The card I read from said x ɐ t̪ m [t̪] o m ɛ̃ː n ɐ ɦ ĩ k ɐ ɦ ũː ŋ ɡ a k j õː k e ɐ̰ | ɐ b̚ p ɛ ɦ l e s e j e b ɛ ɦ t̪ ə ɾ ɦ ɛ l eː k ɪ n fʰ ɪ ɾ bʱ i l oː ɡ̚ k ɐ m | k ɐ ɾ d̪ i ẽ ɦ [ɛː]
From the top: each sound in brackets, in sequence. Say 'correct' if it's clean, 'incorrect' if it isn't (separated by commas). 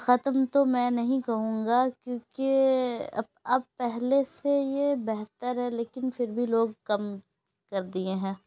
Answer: correct, incorrect